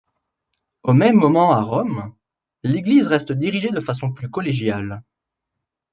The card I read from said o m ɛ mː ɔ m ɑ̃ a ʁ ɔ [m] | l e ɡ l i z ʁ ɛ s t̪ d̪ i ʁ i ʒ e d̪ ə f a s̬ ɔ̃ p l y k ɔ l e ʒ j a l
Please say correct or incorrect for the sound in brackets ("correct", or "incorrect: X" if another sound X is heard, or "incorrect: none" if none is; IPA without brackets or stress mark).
correct